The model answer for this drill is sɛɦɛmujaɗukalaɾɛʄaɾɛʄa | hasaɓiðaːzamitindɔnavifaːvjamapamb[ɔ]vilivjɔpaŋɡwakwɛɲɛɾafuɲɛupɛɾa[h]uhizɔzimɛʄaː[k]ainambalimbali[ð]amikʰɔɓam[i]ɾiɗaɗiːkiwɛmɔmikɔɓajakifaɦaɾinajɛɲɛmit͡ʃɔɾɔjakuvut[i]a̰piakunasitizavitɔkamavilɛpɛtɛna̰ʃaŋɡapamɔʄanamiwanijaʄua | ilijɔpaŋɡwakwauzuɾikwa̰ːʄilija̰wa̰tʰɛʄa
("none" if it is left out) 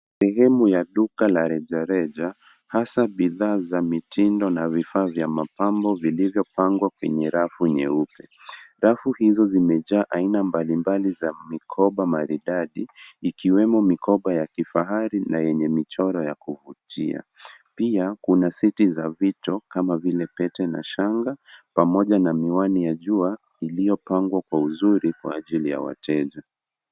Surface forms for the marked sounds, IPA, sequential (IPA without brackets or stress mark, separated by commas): ɔ, f, ʔ, z, a, i